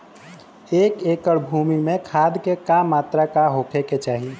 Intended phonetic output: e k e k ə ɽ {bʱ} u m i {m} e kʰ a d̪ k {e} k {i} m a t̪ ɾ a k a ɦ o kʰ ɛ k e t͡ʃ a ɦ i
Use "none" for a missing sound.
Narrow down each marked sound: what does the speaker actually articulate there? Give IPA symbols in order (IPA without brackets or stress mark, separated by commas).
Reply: bʱ, m, e, a